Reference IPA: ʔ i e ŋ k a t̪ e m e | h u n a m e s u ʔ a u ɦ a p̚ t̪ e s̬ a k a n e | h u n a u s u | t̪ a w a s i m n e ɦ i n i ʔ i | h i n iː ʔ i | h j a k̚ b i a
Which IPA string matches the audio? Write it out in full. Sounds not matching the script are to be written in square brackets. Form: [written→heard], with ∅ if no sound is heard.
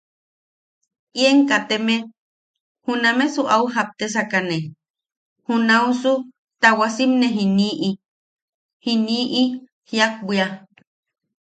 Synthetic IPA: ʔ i e ŋ k a t̪ e m e | h u n a m e s u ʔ a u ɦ a p̚ t̪ e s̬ a k a n e | h u n a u s u | t̪ a w a s i m n e ɦ i n i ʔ i | h i n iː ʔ i | h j a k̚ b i a